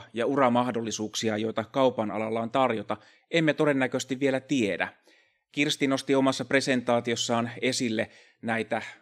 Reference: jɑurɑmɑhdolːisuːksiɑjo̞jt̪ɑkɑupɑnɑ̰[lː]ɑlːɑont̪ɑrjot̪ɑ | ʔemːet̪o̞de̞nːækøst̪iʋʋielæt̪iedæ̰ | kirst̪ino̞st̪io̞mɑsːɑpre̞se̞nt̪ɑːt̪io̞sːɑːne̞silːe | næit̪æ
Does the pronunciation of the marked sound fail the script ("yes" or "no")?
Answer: yes